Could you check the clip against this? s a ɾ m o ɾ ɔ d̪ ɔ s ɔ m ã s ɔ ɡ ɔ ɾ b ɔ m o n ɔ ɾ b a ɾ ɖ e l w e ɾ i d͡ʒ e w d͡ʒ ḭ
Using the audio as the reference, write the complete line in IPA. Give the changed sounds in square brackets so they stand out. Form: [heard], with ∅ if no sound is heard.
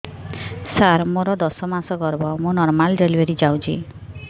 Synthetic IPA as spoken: s a ɾ m o ɾ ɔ d̪ ɔ s ɔ m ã s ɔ ɡ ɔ ɾ b ɔ m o n ɔ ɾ [m] a [l] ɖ e l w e ɾ i d͡ʒ [a] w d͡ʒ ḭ